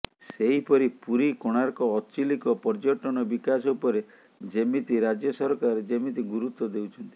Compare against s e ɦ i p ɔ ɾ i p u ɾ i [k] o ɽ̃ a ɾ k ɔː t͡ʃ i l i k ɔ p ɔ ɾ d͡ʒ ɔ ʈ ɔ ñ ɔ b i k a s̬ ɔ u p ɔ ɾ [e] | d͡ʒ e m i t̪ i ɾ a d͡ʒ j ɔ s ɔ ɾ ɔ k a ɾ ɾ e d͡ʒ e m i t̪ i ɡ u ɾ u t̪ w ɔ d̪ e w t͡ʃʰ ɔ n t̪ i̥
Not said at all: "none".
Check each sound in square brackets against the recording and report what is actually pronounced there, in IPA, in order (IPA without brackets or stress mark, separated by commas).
k, e